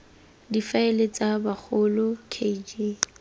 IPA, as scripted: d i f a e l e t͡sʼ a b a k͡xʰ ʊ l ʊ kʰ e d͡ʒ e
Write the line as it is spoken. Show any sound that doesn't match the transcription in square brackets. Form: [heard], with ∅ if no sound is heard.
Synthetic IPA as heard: d i f a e l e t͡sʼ a b a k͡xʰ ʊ l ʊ kʰ e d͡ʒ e